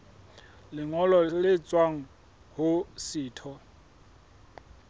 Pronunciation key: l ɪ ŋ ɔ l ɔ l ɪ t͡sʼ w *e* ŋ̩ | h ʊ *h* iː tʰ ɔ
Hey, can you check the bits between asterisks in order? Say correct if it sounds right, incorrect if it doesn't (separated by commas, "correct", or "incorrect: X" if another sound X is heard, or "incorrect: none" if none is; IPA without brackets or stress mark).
incorrect: a, incorrect: s